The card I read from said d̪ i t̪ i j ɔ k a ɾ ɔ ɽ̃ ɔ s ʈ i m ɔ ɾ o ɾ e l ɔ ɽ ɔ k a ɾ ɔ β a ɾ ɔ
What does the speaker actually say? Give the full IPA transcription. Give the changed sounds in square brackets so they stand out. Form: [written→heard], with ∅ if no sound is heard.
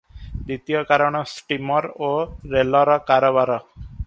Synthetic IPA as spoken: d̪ i t̪ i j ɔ k a ɾ ɔ ɽ̃ ɔ s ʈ i m ɔ ɾ o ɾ e l ɔ [ɽ→ɾ] ɔ k a ɾ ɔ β a ɾ ɔ